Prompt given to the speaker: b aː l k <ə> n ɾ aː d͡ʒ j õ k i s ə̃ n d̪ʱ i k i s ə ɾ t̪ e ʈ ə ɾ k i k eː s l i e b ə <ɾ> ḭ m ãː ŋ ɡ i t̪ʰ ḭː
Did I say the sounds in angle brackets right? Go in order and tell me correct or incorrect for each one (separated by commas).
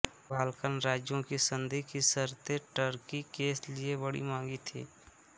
correct, incorrect